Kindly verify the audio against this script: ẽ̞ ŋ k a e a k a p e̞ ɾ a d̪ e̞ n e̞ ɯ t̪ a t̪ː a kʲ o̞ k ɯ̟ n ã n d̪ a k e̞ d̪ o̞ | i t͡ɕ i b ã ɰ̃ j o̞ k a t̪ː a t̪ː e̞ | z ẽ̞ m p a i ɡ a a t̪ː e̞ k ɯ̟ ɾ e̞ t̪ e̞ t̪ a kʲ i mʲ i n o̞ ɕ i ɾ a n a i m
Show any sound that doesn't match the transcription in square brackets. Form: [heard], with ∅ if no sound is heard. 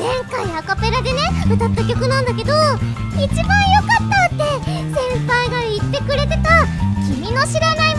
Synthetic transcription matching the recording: ẽ̞ ŋ k a [i] a k a p e̞ ɾ a d̪ e̞ n e̞ ɯ t̪ a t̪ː a kʲ o̞ k ɯ̟ n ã n d̪ a k e̞ d̪ o̞ | i t͡ɕ i b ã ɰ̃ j o̞ k a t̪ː a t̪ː e̞ | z ẽ̞ m p a i ɡ a [i] t̪ː e̞ k ɯ̟ ɾ e̞ t̪ e̞ t̪ a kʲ i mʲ i n o̞ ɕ i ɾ a n a i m

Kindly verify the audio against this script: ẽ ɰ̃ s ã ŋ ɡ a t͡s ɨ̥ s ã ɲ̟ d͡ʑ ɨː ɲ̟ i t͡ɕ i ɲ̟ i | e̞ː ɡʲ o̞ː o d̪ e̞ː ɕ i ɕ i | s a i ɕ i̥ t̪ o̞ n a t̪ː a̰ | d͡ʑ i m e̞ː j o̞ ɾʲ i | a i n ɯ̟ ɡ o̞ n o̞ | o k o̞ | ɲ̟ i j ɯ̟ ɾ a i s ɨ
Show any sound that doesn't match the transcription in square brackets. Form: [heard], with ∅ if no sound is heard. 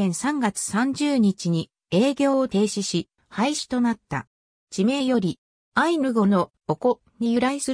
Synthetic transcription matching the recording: ẽ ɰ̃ s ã ŋ ɡ a t͡s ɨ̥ s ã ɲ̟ d͡ʑ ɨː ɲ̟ i t͡ɕ i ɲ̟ i | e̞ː ɡʲ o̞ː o [t̪] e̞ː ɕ i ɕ i | [h] a i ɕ i̥ t̪ o̞ n a t̪ː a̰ | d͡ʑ i m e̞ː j o̞ ɾʲ i | a i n ɯ̟ ɡ o̞ n o̞ | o k o̞ | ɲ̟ i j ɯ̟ ɾ a i s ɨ

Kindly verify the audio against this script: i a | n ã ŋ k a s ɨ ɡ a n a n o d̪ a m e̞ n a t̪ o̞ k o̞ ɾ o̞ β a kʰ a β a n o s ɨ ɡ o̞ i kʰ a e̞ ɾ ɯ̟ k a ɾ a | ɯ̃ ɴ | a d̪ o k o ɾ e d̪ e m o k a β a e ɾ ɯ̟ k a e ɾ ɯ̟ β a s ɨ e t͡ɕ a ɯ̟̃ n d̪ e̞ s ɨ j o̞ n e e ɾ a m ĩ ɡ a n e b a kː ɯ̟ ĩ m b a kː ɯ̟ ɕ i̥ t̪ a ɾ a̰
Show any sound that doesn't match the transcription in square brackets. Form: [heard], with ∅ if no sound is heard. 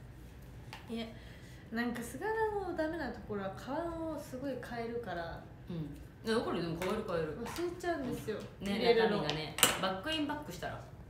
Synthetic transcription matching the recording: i a | n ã ŋ k a s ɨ ɡ a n a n o d̪ a m e̞ n a t̪ o̞ k o̞ ɾ o̞ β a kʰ a β a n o s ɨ ɡ o̞ i kʰ a e̞ ɾ ɯ̟ k a ɾ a | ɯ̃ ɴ | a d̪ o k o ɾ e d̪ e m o k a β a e ɾ ɯ̟ k a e ɾ ɯ̟ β a s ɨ e t͡ɕ a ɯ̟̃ n d̪ e̞ s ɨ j o̞ n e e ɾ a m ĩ ɡ a n e b a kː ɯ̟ ĩ m b a kː ɯ̟ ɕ i̥ t̪ a ɾ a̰

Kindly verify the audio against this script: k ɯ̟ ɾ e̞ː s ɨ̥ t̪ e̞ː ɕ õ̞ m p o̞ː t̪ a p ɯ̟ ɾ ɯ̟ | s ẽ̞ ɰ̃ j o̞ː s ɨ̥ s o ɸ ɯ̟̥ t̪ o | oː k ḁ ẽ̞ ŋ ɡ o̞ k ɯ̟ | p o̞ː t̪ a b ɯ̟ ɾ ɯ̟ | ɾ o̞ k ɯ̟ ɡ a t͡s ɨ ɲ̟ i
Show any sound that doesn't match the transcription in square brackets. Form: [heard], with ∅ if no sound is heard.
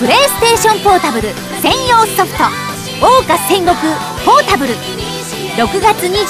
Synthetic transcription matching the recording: [p] ɯ̟ ɾ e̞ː s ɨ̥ t̪ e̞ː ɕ õ̞ m p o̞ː t̪ a [b] ɯ̟ ɾ ɯ̟ | s ẽ̞ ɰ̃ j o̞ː s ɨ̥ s o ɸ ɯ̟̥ t̪ o | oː k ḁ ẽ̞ ŋ ɡ o̞ k ɯ̟ | p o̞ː t̪ a b ɯ̟ ɾ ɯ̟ | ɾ o̞ k ɯ̟ ɡ a t͡s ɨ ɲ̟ i

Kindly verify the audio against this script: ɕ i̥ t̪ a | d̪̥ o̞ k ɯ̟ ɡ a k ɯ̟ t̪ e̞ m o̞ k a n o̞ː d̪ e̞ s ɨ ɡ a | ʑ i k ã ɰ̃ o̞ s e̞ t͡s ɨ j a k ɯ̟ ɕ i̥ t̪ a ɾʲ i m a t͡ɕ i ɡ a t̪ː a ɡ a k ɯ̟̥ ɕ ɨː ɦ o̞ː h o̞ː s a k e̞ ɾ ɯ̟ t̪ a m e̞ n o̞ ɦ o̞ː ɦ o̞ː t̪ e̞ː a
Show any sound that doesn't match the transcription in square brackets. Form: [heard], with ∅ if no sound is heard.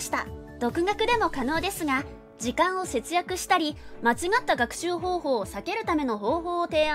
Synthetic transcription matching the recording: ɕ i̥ t̪ a | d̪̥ o̞ k ɯ̟ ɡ a k ɯ̟ [d̪] e̞ m o̞ k a n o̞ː d̪ e̞ s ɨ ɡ a | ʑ i k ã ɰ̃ o̞ s e̞ t͡s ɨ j a k ɯ̟ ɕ i̥ t̪ a ɾʲ i m a t͡ɕ i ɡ a t̪ː a ɡ a k ɯ̟̥ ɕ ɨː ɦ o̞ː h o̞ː s a k e̞ ɾ ɯ̟ t̪ a m e̞ n o̞ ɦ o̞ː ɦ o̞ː t̪ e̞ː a

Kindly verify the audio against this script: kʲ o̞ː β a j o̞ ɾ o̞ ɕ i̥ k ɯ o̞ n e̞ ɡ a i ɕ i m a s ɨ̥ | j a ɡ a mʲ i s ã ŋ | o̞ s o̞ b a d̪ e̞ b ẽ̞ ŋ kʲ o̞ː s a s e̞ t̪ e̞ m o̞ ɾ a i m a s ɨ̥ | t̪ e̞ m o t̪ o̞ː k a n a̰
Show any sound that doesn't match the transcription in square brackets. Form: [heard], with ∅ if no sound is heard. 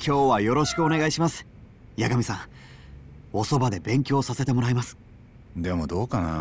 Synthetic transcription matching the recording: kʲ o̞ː β a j o̞ ɾ o̞ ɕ i̥ k ɯ o̞ n e̞ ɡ a i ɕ i m a s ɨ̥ | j a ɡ a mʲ i s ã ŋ | o̞ s o̞ b a d̪ e̞ b ẽ̞ ŋ kʲ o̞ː s a s e̞ t̪ e̞ m o̞ ɾ a i m a s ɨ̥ | [d̪] e̞ m o [d̪] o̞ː k a n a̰

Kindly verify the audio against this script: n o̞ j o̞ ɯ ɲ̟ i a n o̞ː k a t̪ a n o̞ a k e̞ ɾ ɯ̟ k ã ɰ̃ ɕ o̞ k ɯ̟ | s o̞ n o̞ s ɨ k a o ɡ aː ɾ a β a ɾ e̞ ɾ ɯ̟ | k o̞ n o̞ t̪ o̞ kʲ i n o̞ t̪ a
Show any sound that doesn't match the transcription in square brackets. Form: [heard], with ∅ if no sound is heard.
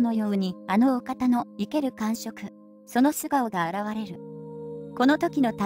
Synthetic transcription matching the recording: n o̞ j o̞ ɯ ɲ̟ i a n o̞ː k a t̪ a n o̞ [i] k e̞ ɾ ɯ̟ k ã ɰ̃ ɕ o̞ k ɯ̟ | s o̞ n o̞ s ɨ [ɡ] a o ɡ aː ɾ a β a ɾ e̞ ɾ ɯ̟ | k o̞ n o̞ t̪ o̞ kʲ i n o̞ t̪ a

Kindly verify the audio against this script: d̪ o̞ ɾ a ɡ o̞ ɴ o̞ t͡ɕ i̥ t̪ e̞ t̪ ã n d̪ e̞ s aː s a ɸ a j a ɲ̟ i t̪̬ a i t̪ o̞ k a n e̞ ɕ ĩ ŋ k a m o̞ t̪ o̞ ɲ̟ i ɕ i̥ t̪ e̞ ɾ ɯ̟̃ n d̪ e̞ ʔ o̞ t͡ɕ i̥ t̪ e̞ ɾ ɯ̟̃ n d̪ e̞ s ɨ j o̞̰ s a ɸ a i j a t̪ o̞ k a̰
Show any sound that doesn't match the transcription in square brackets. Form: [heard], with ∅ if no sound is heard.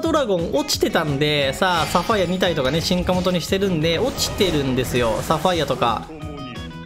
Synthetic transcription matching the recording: d̪ o̞ ɾ a ɡ [õ̞] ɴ o̞ t͡ɕ i̥ t̪ e̞ t̪ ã n d̪ e̞ s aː s a ɸ a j a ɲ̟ i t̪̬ a i t̪ o̞ k a n e̞ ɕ ĩ ŋ k a m o̞ t̪ o̞ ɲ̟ i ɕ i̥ t̪ e̞ ɾ ɯ̟̃ n d̪ e̞ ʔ o̞ t͡ɕ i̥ t̪ e̞ ɾ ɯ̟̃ n d̪ e̞ s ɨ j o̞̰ s a ɸ a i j a t̪ o̞ k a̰

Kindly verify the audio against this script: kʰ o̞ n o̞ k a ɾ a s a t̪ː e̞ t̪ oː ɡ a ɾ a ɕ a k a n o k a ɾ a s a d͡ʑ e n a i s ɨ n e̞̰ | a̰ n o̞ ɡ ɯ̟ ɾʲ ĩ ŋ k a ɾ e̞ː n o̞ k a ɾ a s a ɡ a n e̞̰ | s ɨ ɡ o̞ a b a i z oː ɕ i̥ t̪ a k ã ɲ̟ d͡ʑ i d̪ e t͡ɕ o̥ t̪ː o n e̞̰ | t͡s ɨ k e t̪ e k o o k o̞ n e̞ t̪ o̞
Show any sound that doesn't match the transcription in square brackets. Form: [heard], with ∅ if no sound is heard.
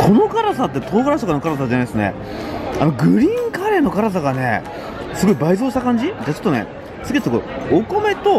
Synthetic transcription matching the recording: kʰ o̞ n o̞ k a ɾ a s a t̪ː e̞ t̪ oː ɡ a ɾ a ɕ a k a n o k a ɾ a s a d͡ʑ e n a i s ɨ n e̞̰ | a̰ n o̞ ɡ ɯ̟ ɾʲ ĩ ŋ k a ɾ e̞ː n o̞ k a ɾ a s a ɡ a n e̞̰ | s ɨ ɡ o̞ [i] b a i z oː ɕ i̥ t̪ a k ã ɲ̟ d͡ʑ i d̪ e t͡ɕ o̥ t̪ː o n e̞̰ | t͡s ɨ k e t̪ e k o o k o̞ [m] e̞ t̪ o̞

